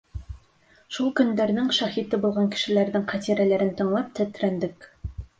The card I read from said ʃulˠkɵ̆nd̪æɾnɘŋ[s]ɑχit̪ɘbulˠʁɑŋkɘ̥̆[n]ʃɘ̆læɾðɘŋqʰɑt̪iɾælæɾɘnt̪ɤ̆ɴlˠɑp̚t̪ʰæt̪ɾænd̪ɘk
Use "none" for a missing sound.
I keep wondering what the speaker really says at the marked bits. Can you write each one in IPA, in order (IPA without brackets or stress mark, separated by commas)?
ʃ, none